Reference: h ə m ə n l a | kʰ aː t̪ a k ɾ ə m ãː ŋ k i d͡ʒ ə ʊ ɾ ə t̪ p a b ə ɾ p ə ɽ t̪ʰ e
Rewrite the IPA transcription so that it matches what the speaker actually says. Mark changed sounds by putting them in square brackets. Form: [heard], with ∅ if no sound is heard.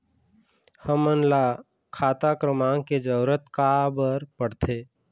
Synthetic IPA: h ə m ə n l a | kʰ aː t̪ a k ɾ ə m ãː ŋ k [e] d͡ʒ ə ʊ ɾ ə t̪ [k] a b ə ɾ p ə ɽ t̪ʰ e